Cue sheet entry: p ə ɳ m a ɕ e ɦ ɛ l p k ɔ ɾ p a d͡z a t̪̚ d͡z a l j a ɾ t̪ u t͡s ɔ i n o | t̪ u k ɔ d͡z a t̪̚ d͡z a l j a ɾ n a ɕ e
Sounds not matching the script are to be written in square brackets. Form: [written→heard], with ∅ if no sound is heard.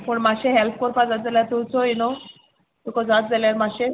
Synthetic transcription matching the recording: p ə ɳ m a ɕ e ɦ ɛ l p k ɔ ɾ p a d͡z a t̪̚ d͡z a l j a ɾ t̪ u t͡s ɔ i n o | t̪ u k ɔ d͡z a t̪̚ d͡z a l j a ɾ [n→m] a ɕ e